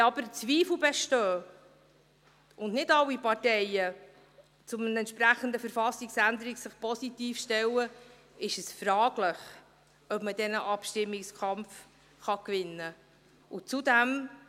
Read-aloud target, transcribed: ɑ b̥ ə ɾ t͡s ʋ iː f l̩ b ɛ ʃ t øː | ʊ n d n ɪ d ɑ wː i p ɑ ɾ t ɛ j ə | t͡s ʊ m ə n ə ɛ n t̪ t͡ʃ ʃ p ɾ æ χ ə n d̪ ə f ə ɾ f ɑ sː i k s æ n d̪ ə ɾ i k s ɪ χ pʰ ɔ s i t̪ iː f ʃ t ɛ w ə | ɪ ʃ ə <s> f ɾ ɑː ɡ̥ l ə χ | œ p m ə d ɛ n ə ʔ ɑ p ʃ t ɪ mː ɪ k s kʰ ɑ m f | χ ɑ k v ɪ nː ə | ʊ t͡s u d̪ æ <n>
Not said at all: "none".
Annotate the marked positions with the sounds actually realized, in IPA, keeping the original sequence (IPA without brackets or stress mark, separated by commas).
s, m